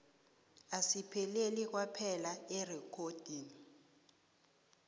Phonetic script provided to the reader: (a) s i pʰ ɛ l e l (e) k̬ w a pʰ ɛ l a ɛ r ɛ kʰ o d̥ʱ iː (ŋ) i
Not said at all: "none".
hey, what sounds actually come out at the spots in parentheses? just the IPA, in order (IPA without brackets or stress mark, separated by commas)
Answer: a, i, n